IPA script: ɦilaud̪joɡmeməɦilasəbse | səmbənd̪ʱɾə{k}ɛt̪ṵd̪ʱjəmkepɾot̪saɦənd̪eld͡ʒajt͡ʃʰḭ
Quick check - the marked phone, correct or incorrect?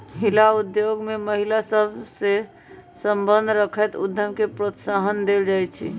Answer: incorrect